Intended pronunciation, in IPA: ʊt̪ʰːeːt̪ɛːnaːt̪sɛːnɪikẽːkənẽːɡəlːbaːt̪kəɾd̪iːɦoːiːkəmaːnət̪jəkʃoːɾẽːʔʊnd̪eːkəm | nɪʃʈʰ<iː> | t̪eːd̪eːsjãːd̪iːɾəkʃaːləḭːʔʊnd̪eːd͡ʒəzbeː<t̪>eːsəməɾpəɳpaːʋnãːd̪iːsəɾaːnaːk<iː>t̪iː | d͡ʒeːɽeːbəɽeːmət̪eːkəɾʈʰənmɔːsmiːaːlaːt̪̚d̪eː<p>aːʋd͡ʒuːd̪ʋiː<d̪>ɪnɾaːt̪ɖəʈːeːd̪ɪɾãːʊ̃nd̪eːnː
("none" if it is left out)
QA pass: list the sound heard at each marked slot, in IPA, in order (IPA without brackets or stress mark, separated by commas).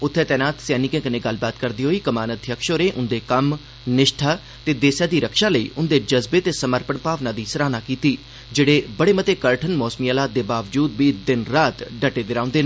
aː, t̪, iː, b, d̪